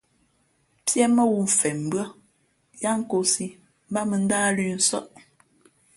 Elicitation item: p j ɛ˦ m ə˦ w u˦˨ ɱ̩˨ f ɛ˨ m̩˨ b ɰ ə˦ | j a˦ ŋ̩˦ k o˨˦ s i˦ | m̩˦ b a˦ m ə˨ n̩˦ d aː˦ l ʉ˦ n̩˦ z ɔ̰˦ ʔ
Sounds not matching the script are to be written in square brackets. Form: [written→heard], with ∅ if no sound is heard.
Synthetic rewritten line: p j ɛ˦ m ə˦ w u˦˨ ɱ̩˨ f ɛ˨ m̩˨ b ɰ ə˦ | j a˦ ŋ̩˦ k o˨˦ s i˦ | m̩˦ b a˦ m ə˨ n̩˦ d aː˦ l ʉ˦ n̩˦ [z→s] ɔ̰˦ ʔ